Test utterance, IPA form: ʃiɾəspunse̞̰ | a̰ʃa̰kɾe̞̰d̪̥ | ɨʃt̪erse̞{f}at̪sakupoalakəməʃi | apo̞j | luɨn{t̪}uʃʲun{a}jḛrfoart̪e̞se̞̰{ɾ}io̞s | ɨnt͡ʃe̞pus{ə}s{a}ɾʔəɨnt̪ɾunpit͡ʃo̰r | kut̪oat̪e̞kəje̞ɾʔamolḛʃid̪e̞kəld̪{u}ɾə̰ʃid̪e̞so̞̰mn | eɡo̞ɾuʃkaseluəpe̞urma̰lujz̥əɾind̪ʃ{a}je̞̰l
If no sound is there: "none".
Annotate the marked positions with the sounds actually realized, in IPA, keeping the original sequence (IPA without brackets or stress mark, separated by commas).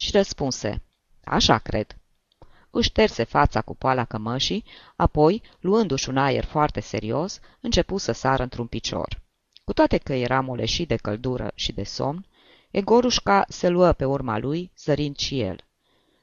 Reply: f, d̪, a, ɾ, ə, a, u, i